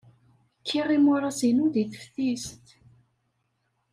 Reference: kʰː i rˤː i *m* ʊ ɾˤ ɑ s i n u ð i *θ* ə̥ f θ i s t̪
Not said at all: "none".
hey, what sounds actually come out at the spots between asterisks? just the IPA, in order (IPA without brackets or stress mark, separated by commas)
m, θ